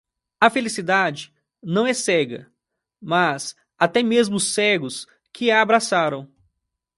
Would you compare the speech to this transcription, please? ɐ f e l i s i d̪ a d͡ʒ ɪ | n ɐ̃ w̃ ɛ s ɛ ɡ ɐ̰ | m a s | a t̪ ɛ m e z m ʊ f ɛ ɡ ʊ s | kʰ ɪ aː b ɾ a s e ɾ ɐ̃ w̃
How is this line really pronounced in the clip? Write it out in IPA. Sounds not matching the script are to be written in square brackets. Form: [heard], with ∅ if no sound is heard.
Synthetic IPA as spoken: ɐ f e l i s i d̪ a d͡ʒ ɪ | n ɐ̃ w̃ ɛ s ɛ ɡ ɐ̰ | m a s | a t̪ ɛ m e z m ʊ [s] ɛ ɡ ʊ s | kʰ ɪ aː b ɾ a s [a] ɾ ɐ̃ w̃

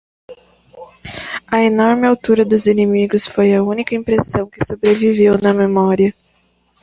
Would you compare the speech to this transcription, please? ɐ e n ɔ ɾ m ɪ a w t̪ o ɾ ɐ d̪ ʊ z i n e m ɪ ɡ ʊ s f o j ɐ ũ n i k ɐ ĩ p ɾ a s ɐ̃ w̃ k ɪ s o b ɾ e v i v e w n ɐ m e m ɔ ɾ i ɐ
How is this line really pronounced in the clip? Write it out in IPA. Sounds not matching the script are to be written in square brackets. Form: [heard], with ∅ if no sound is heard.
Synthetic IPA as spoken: ɐ e n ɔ ɾ m ɪ a w t̪ [u] ɾ ɐ d̪ ʊ z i n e m [i] ɡ ʊ s f o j ɐ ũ n i k ɐ ĩ p ɾ [e] s ɐ̃ w̃ k ɪ s o b ɾ e v i v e w n ɐ m e m ɔ ɾ i ɐ

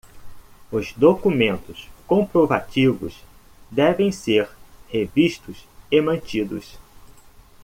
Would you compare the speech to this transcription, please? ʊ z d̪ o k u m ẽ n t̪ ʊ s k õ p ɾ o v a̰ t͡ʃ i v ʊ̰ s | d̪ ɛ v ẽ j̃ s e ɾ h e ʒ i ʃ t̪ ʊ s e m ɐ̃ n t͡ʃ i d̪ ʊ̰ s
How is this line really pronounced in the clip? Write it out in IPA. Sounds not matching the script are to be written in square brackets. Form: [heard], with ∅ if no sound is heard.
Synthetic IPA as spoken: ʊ z d̪ o k u m ẽ n t̪ ʊ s k õ p ɾ o v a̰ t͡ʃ i v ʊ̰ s | d̪ ɛ v ẽ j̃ s e ɾ h e [v] i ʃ t̪ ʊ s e m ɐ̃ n t͡ʃ i d̪ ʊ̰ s

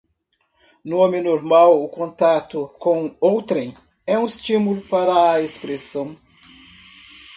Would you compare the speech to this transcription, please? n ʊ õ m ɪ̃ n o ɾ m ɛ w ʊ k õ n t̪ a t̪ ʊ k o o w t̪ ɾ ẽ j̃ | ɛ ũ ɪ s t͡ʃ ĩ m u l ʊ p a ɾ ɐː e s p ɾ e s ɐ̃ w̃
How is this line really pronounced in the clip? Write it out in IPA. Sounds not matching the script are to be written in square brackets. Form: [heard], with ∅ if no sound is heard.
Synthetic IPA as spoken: n ʊ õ m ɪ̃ n o ɾ m [a] w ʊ k õ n t̪ a t̪ ʊ k [õ] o w t̪ ɾ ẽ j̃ | ɛ ũ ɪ s t͡ʃ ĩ m u l ʊ p a ɾ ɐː e s p ɾ e s ɐ̃ w̃

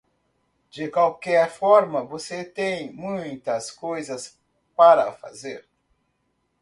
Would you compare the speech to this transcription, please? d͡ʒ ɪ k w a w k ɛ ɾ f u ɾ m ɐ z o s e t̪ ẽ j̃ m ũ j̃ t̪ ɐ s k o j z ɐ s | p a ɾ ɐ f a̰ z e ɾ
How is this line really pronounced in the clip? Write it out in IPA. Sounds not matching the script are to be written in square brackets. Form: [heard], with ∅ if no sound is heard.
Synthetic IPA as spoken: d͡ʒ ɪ k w a w k ɛ ɾ f [ɔ] ɾ m ɐ [v] o s e t̪ ẽ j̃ m ũ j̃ t̪ ɐ s k o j z ɐ s | p a ɾ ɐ f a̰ z e ɾ

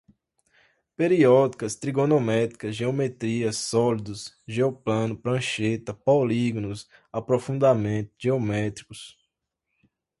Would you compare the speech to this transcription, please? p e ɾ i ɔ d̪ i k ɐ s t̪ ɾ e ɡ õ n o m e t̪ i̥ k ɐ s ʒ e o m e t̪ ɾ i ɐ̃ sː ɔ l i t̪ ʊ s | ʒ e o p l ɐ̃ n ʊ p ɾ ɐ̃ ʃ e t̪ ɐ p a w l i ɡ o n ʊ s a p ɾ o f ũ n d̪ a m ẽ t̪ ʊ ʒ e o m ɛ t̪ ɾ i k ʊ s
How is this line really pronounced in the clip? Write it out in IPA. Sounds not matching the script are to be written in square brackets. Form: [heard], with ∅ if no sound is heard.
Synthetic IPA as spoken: p e ɾ i ɔ d̪ i k ɐ s t̪ ɾ [i] ɡ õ n o m [ɛ] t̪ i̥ k ɐ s ʒ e o m e t̪ ɾ i [ɐ] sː ɔ l i [d̪] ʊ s | ʒ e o p l ɐ̃ n ʊ p ɾ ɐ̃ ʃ e t̪ ɐ p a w l i ɡ o n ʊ s a p ɾ o f ũ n d̪ a m ẽ t̪ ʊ ʒ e o m ɛ t̪ ɾ i k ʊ s

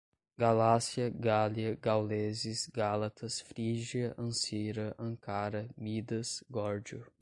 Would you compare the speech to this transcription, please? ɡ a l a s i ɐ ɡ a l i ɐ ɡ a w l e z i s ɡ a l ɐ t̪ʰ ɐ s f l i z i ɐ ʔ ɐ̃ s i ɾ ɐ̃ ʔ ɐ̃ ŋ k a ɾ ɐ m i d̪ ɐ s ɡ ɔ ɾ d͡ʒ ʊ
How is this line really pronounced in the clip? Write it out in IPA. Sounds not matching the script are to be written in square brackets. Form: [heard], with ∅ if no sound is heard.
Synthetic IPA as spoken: ɡ a l a s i ɐ ɡ a l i ɐ ɡ a w l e z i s ɡ a l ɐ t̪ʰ ɐ s f [ɾ] i [ʒ] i ɐ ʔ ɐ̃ s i ɾ [ɐ] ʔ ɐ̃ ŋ k a ɾ ɐ m i d̪ ɐ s ɡ ɔ ɾ d͡ʒ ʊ

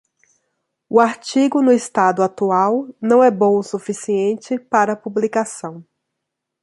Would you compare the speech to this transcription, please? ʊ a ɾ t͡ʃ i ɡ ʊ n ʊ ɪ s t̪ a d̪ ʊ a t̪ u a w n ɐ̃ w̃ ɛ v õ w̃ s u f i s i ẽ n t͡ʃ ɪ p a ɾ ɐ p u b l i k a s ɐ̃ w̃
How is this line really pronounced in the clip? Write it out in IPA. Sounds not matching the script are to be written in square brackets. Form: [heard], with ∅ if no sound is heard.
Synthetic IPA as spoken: ʊ a ɾ t͡ʃ i ɡ ʊ n ʊ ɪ s t̪ a d̪ ʊ a t̪ u a w n ɐ̃ w̃ ɛ [b] õ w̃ s u f i s i ẽ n t͡ʃ ɪ p a ɾ ɐ p u b l i k a s ɐ̃ w̃

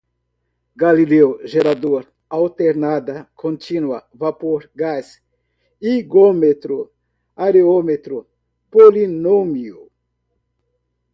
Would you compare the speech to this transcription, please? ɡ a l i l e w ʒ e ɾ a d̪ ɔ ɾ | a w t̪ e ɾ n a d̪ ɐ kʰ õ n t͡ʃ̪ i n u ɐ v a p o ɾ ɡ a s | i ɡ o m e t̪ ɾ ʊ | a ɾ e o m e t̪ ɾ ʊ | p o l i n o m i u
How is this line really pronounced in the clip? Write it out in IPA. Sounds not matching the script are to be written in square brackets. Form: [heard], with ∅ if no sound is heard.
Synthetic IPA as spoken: ɡ a l i l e w ʒ e ɾ a d̪ [o] ɾ | a w t̪ e ɾ n a d̪ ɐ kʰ õ n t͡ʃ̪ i n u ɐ v a p o ɾ ɡ a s | i ɡ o m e t̪ ɾ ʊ | a ɾ e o m e t̪ ɾ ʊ | p o l i n o m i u

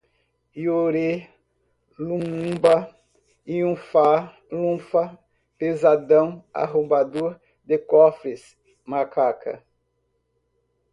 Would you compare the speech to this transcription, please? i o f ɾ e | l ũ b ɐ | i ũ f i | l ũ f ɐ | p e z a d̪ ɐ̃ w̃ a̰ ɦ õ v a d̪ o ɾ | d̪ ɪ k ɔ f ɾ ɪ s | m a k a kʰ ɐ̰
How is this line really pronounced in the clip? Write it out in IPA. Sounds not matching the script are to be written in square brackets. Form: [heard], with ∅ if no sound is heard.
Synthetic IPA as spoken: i o [∅] ɾ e | l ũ b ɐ | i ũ f [a] | l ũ f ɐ | p e z a d̪ ɐ̃ w̃ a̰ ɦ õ [b] a d̪ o ɾ | d̪ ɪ k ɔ f ɾ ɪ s | m a k a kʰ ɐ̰

